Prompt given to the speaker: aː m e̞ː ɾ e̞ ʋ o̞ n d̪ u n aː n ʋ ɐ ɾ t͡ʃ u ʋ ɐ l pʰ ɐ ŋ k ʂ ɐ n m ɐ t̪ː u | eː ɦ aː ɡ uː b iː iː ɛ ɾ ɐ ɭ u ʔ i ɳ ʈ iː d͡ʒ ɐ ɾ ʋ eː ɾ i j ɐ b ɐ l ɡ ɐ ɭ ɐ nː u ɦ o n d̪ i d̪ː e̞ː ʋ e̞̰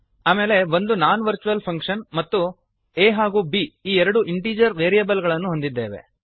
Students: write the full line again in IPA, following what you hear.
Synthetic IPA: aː m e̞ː l e̞ ʋ o̞ n d̪ u n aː n ʋ ɐ ɾ t͡ʃ u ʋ ɐ l pʰ ɐ ŋ k ʂ ɐ n m ɐ t̪ː u | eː ɦ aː ɡ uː b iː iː ɛ ɾ ɐ ɽ u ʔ i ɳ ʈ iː d͡ʒ ɐ ɾ ʋ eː ɾ i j ɐ b ɐ l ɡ ɐ ɭ ɐ nː u ɦ o n d̪ i d̪ː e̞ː ʋ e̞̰